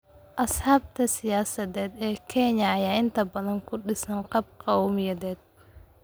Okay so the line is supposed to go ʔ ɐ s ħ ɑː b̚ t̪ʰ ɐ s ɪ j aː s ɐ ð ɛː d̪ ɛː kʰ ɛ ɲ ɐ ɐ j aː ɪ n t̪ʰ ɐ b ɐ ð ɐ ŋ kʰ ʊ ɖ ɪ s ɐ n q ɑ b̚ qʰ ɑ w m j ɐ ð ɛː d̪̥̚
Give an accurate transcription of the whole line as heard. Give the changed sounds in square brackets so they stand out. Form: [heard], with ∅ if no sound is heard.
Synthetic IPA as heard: ʔ ɐ s ħ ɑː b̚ t̪ʰ ɐ s ɪ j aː s ɐ ð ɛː d̪ ɛː kʰ ɛ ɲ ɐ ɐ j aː ɪ n t̪ʰ ɐ b ɐ ð ɐ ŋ kʰ ʊ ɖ ɪ s ɐ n q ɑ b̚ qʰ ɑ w m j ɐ ð ɛː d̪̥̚